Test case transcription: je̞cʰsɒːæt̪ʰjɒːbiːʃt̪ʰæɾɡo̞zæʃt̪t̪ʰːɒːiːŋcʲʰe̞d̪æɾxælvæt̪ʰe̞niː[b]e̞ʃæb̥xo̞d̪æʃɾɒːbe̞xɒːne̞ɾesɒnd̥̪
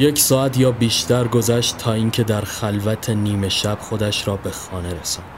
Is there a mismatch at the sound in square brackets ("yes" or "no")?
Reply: yes